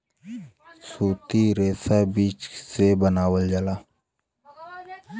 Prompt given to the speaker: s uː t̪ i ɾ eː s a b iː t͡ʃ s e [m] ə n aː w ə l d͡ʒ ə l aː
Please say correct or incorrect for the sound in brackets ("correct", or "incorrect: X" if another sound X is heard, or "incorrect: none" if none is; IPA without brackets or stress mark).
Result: incorrect: b